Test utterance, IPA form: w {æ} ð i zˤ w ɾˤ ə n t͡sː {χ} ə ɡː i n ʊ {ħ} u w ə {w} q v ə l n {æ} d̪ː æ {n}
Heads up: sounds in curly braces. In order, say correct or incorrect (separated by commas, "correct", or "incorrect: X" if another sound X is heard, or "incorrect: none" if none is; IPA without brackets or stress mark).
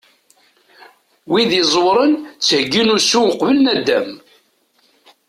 incorrect: i, incorrect: h, incorrect: s, incorrect: none, correct, incorrect: m